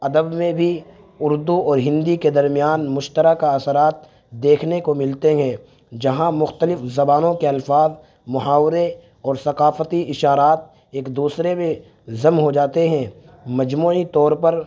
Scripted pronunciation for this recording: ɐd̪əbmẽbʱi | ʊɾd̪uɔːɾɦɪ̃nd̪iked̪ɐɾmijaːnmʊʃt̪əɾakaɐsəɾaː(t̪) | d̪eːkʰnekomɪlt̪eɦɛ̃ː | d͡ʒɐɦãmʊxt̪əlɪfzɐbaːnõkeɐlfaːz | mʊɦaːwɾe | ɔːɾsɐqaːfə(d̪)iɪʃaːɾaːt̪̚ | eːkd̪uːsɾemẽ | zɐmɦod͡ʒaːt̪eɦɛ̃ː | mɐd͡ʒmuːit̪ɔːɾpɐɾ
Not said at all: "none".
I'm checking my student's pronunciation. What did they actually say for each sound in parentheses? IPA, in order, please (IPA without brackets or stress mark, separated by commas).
t̪, t̪